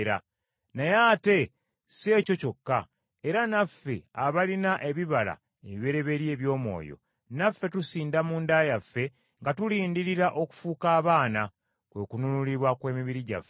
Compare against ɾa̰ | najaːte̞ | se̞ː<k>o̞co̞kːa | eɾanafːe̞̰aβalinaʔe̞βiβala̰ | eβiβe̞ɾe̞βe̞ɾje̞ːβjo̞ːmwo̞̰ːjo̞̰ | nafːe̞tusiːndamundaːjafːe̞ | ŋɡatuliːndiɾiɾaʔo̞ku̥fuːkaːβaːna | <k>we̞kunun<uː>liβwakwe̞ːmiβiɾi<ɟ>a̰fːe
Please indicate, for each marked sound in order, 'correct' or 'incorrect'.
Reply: incorrect, correct, incorrect, correct

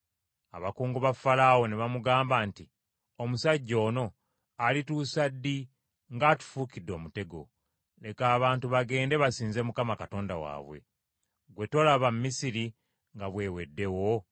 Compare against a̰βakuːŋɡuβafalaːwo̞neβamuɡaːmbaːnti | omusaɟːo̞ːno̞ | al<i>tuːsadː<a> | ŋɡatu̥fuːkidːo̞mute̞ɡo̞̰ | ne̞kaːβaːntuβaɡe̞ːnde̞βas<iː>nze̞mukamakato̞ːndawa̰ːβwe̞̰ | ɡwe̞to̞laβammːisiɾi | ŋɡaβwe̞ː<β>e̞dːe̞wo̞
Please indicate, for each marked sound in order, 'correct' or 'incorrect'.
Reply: correct, incorrect, correct, incorrect

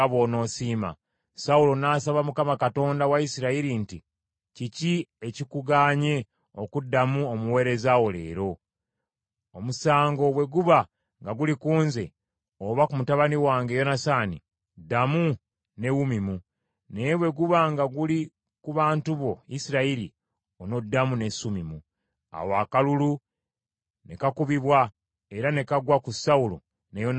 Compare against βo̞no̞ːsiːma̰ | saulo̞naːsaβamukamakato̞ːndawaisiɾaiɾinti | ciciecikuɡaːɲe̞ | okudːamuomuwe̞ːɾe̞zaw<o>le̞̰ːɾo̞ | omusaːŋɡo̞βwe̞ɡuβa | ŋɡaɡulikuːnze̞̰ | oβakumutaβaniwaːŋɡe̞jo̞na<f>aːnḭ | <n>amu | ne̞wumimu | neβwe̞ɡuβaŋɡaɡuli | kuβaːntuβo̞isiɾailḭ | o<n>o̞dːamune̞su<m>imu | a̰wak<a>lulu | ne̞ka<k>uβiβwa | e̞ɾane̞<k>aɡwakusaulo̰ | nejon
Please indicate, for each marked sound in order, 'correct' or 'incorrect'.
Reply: correct, incorrect, incorrect, correct, correct, correct, correct, correct

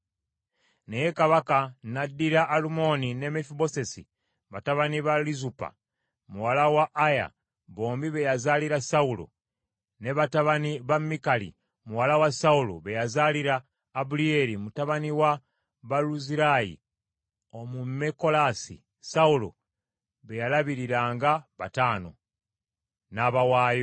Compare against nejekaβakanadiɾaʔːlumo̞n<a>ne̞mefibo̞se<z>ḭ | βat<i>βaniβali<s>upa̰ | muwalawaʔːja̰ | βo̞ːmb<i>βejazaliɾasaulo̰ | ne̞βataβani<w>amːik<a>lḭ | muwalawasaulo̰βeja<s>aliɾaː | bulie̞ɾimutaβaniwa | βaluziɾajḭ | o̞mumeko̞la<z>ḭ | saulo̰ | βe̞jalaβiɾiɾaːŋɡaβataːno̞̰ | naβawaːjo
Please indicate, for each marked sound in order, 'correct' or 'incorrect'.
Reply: incorrect, incorrect, incorrect, incorrect, correct, incorrect, correct, incorrect, incorrect

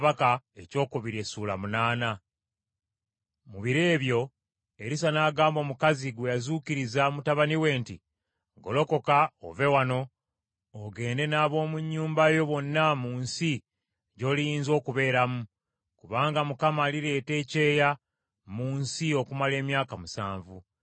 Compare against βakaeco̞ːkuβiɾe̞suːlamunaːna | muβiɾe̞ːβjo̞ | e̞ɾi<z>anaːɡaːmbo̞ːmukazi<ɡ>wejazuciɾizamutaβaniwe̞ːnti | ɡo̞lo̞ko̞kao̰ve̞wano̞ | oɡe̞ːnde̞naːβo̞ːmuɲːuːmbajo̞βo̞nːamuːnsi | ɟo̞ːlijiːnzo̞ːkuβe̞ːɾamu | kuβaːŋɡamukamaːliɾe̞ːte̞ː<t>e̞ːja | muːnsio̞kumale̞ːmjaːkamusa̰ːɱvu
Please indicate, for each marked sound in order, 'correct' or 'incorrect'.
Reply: incorrect, correct, incorrect

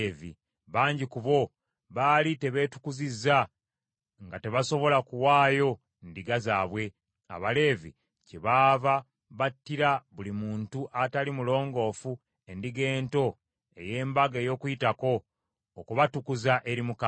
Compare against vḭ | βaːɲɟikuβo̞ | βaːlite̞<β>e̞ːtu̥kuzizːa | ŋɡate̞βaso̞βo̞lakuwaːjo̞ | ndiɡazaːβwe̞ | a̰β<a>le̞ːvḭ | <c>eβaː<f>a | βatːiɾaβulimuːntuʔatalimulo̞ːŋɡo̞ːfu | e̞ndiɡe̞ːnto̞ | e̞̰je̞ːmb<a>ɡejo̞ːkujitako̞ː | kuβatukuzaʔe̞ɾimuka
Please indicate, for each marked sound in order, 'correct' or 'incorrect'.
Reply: correct, correct, correct, incorrect, correct

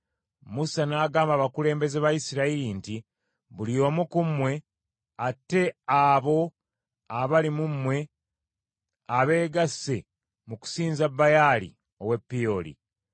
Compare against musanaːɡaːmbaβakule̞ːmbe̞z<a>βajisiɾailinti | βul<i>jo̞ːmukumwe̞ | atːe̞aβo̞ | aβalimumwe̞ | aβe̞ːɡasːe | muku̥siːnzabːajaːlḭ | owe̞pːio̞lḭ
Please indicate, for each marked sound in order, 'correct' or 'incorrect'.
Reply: incorrect, correct

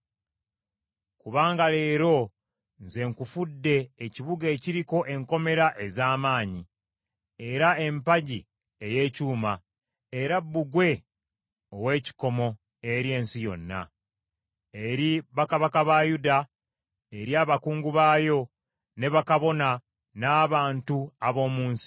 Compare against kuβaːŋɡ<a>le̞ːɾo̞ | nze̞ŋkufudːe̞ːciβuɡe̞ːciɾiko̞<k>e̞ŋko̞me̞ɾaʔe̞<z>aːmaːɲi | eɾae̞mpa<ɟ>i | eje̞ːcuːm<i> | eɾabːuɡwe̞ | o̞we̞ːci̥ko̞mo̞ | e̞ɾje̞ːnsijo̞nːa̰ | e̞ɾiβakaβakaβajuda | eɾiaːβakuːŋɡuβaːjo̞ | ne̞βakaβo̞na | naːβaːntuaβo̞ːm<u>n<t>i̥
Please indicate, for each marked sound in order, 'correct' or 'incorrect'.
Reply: correct, incorrect, correct, correct, incorrect, incorrect, incorrect

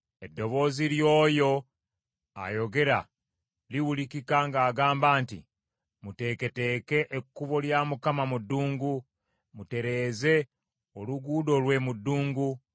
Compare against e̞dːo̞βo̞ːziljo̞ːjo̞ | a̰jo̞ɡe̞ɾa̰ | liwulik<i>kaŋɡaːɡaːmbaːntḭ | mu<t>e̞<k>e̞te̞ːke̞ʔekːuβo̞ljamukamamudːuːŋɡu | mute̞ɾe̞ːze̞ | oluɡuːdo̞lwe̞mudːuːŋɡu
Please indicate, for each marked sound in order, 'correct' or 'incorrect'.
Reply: correct, correct, correct

